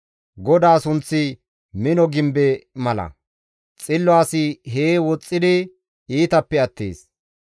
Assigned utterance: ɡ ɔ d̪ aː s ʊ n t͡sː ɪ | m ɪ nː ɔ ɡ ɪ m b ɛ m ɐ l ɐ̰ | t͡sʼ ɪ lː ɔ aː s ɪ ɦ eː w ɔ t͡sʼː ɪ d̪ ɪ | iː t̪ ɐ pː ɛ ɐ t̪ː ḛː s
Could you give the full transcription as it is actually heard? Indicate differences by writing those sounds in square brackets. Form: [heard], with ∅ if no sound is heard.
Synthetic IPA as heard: ɡ ɔ d̪ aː s ʊ n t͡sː ɪ | m ɪ [n] ɔ ɡ ɪ m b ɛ m ɐ l ɐ̰ | t͡sʼ ɪ lː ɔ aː s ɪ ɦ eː w ɔ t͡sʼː ɪ d̪ ɪ | iː t̪ ɐ pː ɛ ɐ t̪ː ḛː s